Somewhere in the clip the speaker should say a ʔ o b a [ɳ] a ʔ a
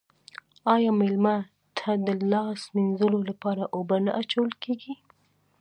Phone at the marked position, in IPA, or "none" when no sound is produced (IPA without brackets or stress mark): n